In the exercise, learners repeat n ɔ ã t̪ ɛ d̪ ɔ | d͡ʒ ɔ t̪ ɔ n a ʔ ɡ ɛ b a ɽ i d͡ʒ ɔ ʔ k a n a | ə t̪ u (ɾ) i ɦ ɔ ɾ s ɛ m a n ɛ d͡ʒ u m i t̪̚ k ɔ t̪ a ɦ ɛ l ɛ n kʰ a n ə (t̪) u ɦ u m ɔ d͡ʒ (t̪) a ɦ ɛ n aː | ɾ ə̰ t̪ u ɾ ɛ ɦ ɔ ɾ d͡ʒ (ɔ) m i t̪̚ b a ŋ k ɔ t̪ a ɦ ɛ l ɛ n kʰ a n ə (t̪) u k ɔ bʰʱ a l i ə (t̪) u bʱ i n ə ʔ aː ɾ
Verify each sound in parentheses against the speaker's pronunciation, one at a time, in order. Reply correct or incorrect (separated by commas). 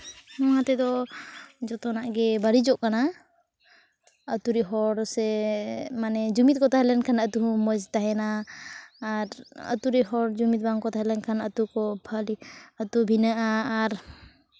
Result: correct, correct, correct, incorrect, correct, correct